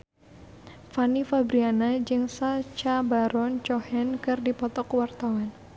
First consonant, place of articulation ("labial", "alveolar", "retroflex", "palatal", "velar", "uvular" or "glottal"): labial